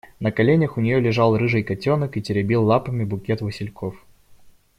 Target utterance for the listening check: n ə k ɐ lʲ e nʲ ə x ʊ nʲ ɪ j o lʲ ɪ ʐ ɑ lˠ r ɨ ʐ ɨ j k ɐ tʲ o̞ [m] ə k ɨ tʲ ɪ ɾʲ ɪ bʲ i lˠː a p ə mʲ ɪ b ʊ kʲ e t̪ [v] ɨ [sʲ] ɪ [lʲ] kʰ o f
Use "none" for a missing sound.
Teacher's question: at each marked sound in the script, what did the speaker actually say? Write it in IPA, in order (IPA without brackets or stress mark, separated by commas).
n, v, sʲ, lʲ